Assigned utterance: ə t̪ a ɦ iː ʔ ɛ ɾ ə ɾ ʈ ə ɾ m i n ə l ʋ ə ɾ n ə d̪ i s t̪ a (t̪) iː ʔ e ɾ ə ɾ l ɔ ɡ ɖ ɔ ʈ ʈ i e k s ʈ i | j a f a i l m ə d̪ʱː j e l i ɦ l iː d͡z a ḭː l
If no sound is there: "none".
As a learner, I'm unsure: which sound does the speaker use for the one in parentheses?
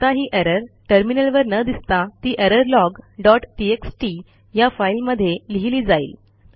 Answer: t̪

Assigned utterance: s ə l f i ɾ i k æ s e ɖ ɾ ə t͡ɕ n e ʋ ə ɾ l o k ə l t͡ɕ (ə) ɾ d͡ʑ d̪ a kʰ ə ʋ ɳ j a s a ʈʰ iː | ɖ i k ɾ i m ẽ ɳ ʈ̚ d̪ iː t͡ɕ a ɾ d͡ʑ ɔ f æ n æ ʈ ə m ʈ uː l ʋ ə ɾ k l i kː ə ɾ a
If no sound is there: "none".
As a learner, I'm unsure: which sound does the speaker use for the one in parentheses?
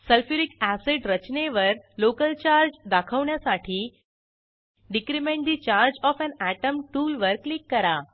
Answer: a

